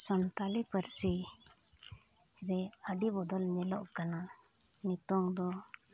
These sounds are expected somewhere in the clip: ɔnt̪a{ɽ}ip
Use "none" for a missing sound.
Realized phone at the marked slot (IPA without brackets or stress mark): l